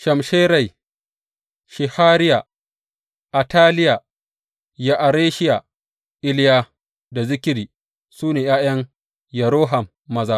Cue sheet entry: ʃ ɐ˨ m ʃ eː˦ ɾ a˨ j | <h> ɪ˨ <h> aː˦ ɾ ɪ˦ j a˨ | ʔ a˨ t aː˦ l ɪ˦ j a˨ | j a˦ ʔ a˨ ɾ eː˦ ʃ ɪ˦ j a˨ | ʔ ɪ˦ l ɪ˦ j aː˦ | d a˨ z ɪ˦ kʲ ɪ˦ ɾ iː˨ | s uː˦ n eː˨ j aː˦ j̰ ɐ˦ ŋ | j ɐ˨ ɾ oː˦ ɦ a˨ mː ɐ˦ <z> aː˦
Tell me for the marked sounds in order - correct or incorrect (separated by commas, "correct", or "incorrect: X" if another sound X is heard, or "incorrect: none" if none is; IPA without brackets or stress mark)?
incorrect: ʃ, correct, correct